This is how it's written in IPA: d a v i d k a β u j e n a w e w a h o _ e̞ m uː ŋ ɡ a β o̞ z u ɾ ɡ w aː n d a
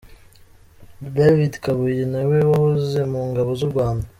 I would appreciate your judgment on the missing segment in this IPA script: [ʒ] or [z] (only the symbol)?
z